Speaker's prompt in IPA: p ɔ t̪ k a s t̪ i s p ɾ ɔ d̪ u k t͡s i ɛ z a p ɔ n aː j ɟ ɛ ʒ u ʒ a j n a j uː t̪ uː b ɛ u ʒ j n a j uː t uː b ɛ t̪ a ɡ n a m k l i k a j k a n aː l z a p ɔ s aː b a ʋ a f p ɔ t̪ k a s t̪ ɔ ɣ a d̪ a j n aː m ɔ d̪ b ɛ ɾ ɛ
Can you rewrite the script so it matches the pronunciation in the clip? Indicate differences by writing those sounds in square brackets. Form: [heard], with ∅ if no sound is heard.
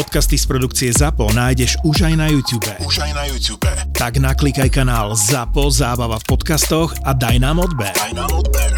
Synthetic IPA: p ɔ t̪ k a s t̪ i s p ɾ ɔ d̪ u k t͡s i ɛ z a p ɔ n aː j ɟ ɛ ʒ u ʒ a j n a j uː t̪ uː b ɛ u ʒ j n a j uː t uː b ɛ t̪ a ɡ n a [∅] k l i k a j k a n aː l z a p ɔ [z] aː b a ʋ a f p ɔ t̪ k a s t̪ ɔ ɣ a d̪ a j n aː m ɔ d̪ b ɛ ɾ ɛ